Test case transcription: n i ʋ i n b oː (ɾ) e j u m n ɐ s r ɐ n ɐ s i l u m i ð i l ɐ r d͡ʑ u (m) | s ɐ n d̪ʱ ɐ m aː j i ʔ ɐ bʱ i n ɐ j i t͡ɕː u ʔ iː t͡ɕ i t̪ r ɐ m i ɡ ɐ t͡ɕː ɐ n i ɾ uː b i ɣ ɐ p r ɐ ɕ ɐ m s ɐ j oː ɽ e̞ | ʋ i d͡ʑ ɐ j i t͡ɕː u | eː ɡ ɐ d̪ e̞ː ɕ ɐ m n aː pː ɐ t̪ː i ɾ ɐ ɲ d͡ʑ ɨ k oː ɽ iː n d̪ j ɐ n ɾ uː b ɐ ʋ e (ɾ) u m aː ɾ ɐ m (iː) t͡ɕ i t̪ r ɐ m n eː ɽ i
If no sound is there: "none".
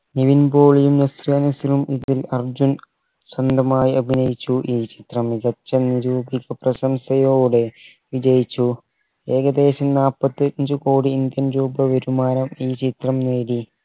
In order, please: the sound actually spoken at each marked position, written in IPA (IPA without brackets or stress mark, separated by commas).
ɭ, n, ɾ, iː